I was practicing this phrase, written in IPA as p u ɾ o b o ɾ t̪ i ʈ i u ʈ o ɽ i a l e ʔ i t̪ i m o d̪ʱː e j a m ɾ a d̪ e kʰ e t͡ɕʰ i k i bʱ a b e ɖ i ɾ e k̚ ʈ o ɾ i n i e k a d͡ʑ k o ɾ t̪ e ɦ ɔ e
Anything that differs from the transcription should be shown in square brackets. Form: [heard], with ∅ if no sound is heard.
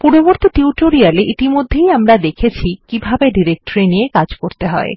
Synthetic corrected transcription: p u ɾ o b o ɾ t̪ i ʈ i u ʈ o [ɾ] i a l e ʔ i t̪ i m o d̪ʱː e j a m ɾ a d̪ e kʰ e t͡ɕʰ i k i bʱ a b e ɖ i ɾ e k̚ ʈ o ɾ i n i e k a d͡ʑ k o ɾ t̪ e ɦ ɔ e